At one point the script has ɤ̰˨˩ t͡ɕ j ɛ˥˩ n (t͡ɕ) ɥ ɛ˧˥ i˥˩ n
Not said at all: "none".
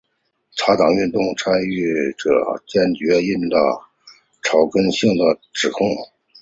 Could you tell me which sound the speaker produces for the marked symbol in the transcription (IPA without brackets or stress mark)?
t͡ɕ